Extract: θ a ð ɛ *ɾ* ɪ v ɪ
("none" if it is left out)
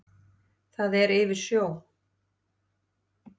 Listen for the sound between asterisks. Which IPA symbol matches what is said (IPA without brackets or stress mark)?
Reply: ɾ